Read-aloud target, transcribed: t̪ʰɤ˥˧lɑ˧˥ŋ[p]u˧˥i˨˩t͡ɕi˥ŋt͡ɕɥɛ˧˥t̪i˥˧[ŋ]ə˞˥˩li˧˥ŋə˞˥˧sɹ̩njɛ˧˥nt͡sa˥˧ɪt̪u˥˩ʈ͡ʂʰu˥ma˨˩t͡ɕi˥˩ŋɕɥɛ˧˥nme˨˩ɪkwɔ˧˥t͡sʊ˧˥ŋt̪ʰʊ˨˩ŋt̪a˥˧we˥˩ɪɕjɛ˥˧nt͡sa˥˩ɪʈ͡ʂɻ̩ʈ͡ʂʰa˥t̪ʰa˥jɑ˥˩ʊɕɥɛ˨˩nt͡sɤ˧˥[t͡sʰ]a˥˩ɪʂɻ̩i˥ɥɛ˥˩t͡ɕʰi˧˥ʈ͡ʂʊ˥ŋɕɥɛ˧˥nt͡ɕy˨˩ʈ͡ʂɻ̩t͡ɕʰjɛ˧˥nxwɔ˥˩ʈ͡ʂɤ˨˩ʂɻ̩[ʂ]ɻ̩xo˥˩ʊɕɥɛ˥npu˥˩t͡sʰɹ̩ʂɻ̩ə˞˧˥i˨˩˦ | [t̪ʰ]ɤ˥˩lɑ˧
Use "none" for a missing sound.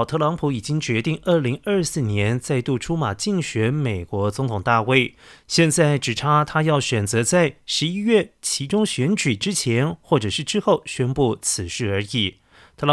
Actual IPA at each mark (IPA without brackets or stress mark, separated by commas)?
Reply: pʰ, ŋ, t͡s, ʈ͡ʂ, t̪ʰ